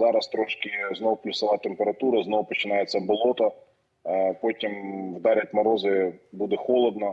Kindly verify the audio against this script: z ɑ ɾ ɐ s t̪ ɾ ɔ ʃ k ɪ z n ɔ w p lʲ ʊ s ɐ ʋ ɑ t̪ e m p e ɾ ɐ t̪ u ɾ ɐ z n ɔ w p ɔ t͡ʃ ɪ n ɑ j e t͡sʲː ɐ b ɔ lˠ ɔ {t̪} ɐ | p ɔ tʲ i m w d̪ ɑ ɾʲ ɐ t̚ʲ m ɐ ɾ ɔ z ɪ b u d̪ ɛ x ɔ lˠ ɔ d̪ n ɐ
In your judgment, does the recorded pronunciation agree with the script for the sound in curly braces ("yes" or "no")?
yes